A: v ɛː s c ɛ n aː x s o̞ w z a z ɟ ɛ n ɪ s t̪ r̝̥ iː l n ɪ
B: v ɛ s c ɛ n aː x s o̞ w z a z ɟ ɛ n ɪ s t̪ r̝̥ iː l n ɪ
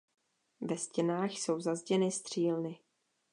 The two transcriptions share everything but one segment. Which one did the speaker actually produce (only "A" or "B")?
B